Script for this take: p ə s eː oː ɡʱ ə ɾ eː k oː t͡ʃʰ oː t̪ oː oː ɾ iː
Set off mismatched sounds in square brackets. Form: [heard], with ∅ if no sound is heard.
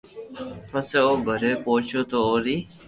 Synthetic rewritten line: p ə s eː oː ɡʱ ə ɾ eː [p] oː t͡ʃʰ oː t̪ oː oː ɾ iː